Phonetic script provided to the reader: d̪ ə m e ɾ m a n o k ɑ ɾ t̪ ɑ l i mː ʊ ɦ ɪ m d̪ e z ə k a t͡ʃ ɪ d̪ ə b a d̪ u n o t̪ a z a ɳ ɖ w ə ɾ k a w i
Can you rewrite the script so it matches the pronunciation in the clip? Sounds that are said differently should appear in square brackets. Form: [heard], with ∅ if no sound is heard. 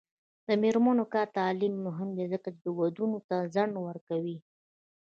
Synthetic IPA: d̪ ə m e ɾ m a n o k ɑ ɾ t̪ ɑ l i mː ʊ ɦ ɪ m d̪ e z ə k a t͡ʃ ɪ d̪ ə [w] a d̪ u n o t̪ a z a ɳ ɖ w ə ɾ k a w i